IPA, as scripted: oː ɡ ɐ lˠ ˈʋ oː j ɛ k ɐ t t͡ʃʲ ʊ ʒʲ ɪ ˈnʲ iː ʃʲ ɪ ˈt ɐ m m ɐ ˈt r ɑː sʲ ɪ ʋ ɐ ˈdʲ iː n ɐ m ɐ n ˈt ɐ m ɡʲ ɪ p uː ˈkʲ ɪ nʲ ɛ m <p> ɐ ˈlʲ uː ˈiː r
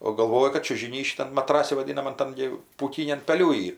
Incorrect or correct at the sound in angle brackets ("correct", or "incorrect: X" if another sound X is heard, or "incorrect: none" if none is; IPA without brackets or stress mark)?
correct